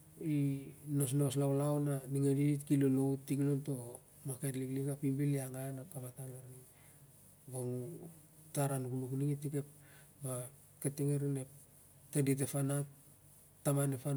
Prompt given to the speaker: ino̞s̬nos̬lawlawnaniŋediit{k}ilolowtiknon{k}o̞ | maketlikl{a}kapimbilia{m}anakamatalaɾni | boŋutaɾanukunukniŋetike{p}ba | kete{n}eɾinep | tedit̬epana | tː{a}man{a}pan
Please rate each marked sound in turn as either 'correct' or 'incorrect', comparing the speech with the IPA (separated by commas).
correct, incorrect, incorrect, incorrect, correct, incorrect, correct, incorrect